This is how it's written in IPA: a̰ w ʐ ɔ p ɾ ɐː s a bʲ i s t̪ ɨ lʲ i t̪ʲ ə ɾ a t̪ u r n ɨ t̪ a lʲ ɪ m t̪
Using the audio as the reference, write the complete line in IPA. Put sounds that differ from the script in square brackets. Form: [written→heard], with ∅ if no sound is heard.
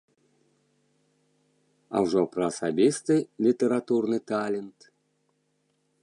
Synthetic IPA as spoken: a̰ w ʐ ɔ p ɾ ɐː s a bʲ i s t̪ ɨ lʲ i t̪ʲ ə ɾ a t̪ u r n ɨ t̪ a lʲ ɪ [m→n] t̪